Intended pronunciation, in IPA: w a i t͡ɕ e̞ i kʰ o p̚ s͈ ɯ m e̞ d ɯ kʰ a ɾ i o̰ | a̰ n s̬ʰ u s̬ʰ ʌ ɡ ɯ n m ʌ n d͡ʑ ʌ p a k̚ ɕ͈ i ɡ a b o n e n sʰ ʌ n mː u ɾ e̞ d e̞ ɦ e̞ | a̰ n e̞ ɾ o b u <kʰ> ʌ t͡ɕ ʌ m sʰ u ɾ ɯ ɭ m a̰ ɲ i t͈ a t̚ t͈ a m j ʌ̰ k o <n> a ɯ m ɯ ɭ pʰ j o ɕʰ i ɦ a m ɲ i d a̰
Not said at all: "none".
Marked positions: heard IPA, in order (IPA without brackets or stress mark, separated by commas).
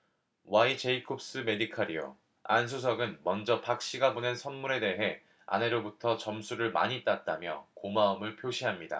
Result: tʰ, m